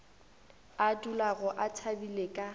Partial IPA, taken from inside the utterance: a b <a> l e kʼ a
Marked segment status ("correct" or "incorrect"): incorrect